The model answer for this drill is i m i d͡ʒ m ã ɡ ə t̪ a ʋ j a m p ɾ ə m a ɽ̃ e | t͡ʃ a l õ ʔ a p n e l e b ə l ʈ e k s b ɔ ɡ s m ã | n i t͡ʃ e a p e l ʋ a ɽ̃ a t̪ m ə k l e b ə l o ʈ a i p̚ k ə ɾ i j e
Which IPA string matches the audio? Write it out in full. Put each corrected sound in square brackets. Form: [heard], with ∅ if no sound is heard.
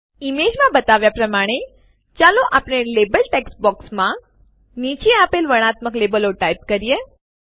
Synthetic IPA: i m [e] d͡ʒ m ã [b] ə t̪ a ʋ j a [∅] p ɾ ə m a ɽ̃ e | t͡ʃ a l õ ʔ a p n e l e b ə l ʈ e k s b ɔ [k] s m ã | n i t͡ʃ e a p e l ʋ [ə] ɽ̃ a t̪ m ə k l e b ə l o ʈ a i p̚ k ə ɾ i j e